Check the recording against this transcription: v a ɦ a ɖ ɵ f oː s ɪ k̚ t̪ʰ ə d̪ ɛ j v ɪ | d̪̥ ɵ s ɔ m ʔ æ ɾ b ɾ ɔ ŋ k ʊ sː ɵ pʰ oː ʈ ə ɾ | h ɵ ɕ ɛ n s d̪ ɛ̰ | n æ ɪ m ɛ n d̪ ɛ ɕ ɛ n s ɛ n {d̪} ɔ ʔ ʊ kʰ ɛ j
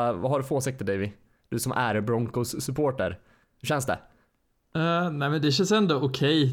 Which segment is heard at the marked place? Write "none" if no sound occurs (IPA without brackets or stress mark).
d̪